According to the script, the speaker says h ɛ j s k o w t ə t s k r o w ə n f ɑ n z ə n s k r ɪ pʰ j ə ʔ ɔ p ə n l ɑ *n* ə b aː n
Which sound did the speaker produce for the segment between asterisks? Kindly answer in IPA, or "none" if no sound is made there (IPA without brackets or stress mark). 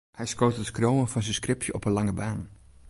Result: ŋ